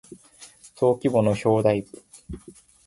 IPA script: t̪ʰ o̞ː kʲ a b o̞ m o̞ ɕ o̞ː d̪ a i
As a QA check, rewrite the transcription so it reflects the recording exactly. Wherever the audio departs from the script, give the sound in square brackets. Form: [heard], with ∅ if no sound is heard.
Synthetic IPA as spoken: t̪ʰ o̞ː kʲ [i] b o̞ [n] o̞ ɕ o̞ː d̪ a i